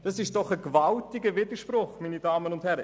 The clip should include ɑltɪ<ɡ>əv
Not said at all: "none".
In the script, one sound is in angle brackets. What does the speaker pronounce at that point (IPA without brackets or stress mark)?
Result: ɡ